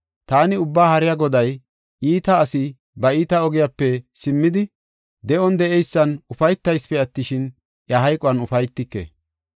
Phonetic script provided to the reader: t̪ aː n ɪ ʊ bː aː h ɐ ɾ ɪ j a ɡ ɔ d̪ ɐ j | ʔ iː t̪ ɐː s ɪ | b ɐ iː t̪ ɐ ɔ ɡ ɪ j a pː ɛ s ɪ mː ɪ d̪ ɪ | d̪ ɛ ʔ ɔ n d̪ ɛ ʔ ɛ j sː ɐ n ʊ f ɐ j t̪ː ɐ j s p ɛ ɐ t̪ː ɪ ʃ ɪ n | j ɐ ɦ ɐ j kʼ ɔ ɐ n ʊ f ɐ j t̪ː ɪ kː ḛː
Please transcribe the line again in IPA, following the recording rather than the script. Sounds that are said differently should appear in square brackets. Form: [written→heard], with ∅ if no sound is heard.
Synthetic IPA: t̪ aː n ɪ ʊ bː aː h ɐ ɾ ɪ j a ɡ ɔ d̪ ɐ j | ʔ iː t̪ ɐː s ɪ | b ɐ iː t̪ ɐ ɔ ɡ ɪ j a pː ɛ s ɪ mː ɪ d̪ ɪ | d̪ ɛ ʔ ɔ n d̪ ɛ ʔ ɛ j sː ɐ n ʊ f ɐ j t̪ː ɐ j s p ɛ ɐ t̪ː ɪ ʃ ɪ n | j ɐ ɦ ɐ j kʼ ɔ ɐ n ʊ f ɐ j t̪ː ɪ kː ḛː